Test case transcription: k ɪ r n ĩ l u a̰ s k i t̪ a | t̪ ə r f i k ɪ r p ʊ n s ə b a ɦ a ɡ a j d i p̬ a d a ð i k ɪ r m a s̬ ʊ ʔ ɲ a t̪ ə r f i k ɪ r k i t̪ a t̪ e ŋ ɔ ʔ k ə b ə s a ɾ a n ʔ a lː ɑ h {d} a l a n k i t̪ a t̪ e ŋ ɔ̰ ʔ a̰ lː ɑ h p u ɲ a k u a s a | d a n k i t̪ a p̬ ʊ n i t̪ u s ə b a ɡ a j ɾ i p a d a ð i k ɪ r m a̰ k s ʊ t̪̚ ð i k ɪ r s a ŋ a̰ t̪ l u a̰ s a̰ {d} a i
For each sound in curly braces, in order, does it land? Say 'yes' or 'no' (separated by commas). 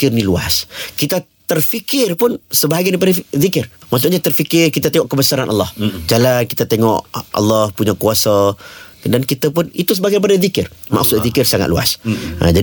no, no